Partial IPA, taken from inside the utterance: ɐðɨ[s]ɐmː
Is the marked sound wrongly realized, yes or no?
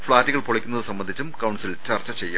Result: no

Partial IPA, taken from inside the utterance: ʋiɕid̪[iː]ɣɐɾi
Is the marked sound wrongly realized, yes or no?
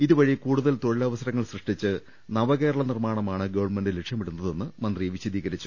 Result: no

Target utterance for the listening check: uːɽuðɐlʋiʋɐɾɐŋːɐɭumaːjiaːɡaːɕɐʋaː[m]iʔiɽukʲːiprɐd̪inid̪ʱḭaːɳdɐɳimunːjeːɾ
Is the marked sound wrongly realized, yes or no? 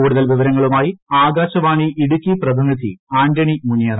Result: yes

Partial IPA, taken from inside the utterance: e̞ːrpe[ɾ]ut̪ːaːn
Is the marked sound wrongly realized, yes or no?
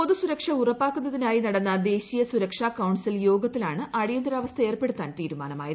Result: yes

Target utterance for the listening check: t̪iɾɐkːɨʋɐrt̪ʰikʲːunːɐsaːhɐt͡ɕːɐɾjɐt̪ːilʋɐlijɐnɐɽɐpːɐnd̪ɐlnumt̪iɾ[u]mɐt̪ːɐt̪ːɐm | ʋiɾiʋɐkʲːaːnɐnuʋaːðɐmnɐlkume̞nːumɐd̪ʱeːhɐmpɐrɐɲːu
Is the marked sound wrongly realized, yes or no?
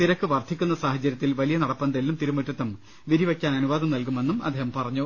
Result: no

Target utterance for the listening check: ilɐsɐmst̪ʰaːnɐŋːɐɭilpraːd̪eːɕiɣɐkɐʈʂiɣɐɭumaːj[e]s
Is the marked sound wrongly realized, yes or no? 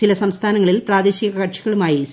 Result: yes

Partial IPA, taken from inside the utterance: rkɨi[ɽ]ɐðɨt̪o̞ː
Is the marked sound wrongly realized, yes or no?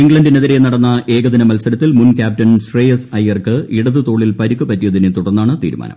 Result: no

